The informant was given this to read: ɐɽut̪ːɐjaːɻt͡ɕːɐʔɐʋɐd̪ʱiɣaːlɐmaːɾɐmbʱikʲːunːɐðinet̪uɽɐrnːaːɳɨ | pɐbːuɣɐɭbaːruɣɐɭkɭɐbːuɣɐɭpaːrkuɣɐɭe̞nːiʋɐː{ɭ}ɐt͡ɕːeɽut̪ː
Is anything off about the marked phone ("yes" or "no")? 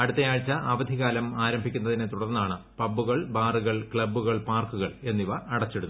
yes